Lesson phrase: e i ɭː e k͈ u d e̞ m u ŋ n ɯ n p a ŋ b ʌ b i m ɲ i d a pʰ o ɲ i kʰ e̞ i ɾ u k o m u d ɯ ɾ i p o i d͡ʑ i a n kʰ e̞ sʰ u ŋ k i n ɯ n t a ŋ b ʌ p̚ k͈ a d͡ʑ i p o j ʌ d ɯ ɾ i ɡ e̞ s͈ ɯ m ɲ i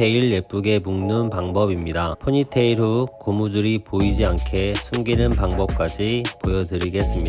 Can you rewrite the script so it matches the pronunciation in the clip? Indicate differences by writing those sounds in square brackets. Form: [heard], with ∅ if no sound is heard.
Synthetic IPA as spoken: e i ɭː e [p͈] u [ɡ] e̞ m u ŋ n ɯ n p a ŋ b ʌ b i m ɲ i d a pʰ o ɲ i [tʰ] e̞ i ɾ u k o m u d ɯ ɾ i p o i d͡ʑ i a n kʰ e̞ sʰ u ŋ [ɡ] i n ɯ n [p] a ŋ b ʌ p̚ k͈ a d͡ʑ i p o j ʌ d ɯ ɾ i ɡ e̞ s͈ ɯ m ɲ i